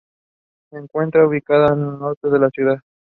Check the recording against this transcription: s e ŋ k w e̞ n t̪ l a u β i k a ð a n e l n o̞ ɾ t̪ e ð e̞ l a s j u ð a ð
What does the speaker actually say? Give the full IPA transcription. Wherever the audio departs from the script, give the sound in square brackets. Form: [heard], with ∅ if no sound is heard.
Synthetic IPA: s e ŋ k w e̞ n t̪ [ɾ] a u β i k a ð a n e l n o̞ ɾ t̪ e ð e̞ l a s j u ð a ð